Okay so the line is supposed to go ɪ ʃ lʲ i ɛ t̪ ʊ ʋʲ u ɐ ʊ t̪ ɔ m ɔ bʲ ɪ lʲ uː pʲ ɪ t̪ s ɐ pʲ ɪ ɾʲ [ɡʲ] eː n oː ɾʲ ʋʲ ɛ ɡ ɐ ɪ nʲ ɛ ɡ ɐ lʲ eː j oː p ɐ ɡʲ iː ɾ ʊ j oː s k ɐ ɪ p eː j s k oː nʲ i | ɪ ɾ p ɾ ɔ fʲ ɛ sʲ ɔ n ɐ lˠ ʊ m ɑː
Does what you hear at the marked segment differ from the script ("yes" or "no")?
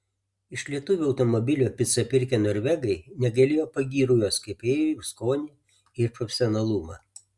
yes